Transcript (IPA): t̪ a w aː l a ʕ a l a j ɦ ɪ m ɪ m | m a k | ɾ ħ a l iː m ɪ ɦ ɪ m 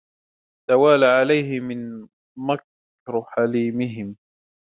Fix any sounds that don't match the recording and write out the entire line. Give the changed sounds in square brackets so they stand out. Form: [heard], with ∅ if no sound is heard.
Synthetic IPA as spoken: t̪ a w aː l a ʕ a l a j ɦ ɪ m ɪ [n] | m a k | ɾ ħ a l iː m ɪ ɦ ɪ m